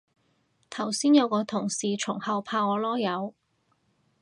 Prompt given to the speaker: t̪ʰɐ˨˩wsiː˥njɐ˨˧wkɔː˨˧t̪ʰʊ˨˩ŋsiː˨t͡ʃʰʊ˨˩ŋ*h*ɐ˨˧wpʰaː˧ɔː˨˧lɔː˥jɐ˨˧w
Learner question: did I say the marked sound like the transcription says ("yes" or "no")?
yes